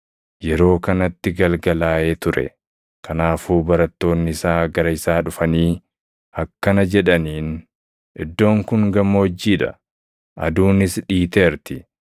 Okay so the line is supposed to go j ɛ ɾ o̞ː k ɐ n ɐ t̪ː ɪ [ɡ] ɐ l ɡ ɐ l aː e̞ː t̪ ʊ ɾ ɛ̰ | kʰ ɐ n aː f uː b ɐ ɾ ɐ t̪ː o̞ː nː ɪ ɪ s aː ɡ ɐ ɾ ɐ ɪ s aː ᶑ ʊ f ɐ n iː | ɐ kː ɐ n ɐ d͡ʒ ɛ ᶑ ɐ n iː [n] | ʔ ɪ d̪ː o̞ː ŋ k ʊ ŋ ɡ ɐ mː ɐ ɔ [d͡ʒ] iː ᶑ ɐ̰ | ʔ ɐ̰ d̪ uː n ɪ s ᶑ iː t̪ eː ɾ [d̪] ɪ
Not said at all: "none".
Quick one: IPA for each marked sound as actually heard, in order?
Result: ɡ, n, d͡ʒː, t̪

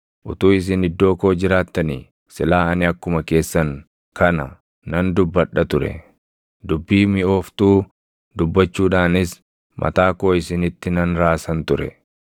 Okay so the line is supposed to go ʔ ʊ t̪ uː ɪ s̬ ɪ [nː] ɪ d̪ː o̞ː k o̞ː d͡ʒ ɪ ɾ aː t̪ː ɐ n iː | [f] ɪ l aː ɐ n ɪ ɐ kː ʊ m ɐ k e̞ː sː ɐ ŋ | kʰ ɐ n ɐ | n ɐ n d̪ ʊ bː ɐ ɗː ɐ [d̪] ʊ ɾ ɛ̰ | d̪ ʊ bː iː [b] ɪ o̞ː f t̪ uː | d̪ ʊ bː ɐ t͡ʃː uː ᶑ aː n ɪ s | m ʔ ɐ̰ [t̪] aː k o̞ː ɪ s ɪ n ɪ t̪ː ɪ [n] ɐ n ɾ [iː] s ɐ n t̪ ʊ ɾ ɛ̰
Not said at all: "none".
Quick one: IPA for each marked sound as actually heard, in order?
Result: n, s, t̪, m, t̪, n, aː

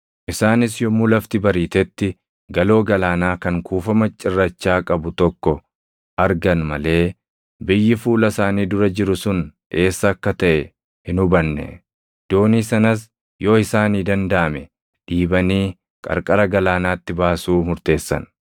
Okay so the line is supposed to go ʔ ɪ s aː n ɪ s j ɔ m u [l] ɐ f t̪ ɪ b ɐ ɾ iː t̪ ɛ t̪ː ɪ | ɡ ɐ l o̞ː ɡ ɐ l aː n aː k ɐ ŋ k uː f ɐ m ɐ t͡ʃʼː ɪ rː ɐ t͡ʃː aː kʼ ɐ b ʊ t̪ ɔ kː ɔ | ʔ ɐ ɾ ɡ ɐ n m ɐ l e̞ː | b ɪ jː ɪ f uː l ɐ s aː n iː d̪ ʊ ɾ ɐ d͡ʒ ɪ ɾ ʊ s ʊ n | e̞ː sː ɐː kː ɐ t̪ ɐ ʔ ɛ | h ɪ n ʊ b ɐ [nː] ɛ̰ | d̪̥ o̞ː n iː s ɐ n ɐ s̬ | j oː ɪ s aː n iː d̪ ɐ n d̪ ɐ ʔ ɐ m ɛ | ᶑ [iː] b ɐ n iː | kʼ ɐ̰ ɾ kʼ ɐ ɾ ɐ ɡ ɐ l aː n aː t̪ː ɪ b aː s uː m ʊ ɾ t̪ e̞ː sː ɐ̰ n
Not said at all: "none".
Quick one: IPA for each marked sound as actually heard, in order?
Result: l, nː, iː

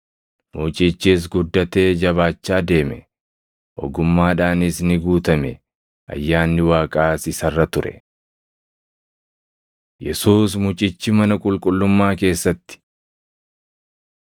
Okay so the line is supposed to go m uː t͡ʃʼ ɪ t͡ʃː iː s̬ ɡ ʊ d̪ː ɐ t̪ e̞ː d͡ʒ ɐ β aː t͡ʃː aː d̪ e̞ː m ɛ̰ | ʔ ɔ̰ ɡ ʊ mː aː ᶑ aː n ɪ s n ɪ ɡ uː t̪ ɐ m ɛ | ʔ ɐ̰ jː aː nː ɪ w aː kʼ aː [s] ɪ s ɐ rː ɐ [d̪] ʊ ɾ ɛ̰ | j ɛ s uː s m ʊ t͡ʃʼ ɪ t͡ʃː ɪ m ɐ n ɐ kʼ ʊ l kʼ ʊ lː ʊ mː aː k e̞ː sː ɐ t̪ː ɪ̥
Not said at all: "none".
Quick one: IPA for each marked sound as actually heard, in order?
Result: s, t̪

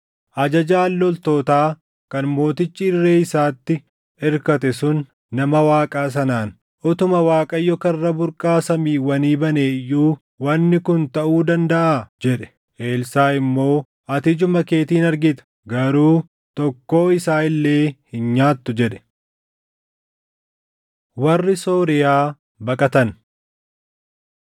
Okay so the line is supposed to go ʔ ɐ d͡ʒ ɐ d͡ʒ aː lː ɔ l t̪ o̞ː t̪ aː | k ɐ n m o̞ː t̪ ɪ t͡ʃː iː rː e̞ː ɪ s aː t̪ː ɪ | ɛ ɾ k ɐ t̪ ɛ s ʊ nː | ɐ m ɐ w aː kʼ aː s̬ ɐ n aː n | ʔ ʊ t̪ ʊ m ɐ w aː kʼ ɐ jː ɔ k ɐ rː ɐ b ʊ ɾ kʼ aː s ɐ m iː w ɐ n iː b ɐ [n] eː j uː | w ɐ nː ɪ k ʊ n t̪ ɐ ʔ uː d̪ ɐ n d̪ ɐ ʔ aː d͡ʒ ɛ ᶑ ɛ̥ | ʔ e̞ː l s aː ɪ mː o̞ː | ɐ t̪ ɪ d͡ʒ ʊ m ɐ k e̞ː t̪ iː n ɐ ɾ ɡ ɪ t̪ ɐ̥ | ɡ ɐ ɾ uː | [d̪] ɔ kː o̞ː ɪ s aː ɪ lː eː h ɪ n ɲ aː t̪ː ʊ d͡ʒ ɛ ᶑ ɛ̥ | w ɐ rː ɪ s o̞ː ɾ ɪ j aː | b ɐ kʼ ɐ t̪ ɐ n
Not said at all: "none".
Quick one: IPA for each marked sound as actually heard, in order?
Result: n, t̪

